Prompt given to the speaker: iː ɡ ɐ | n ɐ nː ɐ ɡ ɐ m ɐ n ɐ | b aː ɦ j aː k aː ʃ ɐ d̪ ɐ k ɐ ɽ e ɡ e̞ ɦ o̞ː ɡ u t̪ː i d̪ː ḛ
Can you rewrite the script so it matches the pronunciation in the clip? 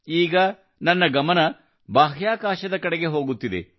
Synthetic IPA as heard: iː ɡ ɐ | n ɐ nː ɐ ɡ ɐ m ɐ n ɐ | b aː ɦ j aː k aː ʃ ɐ d̪ ɐ k ɐ ɽ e ɡ e̞ ɦ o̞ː ɡ u t̪ː i d̪ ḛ